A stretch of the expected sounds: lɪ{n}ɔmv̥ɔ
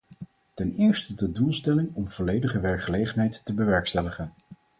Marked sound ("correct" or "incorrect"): incorrect